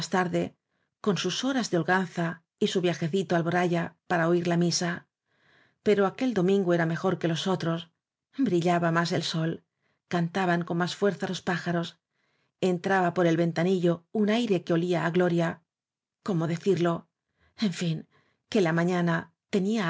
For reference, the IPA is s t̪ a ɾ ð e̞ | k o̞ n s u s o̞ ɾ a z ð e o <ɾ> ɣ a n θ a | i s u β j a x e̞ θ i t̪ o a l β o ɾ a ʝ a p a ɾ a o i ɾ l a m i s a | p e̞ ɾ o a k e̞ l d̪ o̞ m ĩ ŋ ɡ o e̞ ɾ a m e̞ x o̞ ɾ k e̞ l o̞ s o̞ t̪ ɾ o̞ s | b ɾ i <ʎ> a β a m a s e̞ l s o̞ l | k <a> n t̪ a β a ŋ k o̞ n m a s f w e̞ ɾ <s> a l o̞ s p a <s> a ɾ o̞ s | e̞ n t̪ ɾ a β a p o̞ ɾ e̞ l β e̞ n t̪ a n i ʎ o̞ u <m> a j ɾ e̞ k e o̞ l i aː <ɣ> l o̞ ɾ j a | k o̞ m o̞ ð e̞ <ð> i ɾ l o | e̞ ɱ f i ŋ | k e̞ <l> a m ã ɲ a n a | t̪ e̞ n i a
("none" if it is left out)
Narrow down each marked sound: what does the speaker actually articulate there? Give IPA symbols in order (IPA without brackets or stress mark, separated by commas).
l, ʎ, a, θ, x, n, ɣ, θ, l